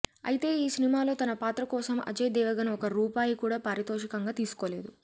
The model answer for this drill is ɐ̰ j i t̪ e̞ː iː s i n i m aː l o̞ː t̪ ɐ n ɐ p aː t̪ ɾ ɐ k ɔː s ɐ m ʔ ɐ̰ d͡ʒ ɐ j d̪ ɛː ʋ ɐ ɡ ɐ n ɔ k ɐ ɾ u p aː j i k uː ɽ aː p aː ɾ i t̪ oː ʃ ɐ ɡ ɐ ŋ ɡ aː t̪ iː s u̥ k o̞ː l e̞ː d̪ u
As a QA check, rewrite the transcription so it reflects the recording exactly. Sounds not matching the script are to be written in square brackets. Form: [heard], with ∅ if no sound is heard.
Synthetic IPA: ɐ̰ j i t̪ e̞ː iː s i n i m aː l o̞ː t̪ ɐ n ɐ p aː t̪ ɾ ɐ k ɔː s ɐ m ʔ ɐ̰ d͡ʒ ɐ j d̪ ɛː ʋ ɐ ɡ ɐ n ɔ k ɐ ɾ [uː] p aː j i k uː ɽ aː p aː ɾ i t̪ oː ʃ ɐ [k] ɐ ŋ ɡ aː t̪ iː s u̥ k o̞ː l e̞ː d̪ u